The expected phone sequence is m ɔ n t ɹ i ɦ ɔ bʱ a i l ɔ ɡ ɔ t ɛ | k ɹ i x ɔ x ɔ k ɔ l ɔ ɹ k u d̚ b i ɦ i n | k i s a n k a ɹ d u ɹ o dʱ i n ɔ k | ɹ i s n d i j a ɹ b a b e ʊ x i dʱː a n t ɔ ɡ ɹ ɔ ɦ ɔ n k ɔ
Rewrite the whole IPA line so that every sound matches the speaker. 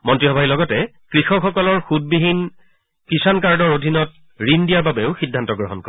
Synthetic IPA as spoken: m ɔ n t ɹ i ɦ ɔ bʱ a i l ɔ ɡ ɔ t ɛ | k ɹ i x ɔ x ɔ k ɔ l ɔ ɹ x u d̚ b i ɦ i n | k i s a n k a ɹ d ɔ ɹ o dʱ i n ɔ t | ɹ i n d i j a ɹ b a b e ʊ x i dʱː a n t ɔ ɡ ɹ ɔ ɦ ɔ n k ɔ